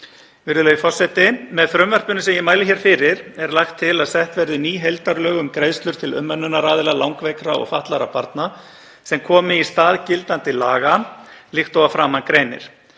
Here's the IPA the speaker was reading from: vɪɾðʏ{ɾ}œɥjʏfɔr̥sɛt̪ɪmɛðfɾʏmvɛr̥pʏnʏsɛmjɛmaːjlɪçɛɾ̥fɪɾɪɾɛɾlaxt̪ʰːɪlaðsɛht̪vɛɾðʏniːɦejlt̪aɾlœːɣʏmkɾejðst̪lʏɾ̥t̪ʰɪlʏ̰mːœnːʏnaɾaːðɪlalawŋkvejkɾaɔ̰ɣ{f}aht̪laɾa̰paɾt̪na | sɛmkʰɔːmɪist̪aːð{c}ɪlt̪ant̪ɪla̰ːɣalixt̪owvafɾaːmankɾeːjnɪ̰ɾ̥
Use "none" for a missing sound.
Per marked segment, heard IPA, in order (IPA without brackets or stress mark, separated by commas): l, f, c